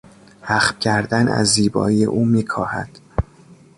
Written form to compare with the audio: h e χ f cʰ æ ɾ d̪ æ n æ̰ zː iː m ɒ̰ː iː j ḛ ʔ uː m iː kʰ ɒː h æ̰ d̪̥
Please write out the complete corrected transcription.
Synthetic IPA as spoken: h æ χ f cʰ æ ɾ d̪ æ n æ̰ zː iː b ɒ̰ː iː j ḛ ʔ uː m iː kʰ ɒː h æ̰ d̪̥